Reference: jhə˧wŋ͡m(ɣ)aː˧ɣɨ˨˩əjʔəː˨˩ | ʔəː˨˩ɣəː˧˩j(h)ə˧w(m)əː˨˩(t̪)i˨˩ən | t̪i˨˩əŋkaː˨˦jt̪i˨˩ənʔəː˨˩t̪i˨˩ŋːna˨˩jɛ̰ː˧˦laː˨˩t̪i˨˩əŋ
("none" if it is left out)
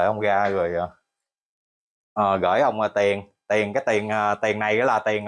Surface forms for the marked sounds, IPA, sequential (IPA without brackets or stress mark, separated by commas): ɣ, h, ŋ͡m, t̪